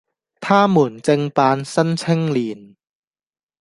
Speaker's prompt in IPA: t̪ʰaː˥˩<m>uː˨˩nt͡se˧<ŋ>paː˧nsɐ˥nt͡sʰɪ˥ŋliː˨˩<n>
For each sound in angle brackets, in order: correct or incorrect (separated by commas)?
correct, correct, correct